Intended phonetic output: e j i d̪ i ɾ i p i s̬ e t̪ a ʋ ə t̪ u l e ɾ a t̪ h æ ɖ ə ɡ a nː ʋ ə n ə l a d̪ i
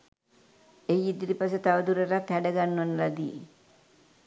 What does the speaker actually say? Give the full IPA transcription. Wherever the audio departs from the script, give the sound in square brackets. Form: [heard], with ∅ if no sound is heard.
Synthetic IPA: e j i d̪ i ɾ i p [a] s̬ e t̪ a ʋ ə [d̪] u [ɾ] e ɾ a t̪ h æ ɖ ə ɡ a nː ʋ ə n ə l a d̪ i